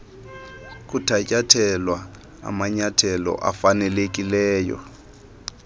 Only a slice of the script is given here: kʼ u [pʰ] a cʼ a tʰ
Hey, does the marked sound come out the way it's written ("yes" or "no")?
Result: no